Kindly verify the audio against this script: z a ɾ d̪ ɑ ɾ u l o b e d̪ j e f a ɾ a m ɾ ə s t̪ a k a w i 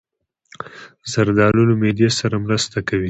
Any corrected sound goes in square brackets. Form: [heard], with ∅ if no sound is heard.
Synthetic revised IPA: z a ɾ d̪ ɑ [l] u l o [m] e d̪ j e [s] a ɾ a m ɾ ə s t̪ a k a w i